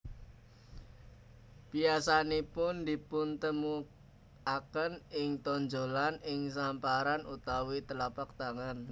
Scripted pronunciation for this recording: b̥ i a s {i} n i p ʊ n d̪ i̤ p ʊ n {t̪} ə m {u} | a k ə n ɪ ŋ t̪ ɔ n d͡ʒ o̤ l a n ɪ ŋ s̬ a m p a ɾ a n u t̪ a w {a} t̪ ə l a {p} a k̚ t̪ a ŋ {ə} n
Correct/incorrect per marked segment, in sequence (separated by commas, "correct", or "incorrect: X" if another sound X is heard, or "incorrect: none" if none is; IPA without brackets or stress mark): incorrect: a, correct, correct, incorrect: i, correct, incorrect: a